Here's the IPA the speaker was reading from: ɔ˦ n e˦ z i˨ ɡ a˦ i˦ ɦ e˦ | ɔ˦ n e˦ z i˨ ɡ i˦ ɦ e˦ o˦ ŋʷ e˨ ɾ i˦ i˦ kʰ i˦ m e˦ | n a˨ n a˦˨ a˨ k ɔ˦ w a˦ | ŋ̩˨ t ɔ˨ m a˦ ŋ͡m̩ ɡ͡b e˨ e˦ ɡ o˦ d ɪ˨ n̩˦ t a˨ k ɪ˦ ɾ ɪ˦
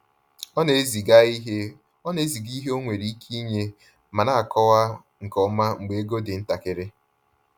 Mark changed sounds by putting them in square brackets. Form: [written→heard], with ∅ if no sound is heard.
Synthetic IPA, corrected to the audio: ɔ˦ n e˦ z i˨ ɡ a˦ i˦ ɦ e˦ | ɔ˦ n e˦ z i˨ ɡ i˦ ɦ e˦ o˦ ŋʷ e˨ ɾ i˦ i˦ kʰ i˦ [m→ɲ] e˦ | [n→m] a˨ n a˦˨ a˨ k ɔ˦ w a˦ | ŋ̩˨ [t→k] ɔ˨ m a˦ ŋ͡m̩ ɡ͡b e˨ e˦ ɡ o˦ d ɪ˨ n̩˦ t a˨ k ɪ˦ ɾ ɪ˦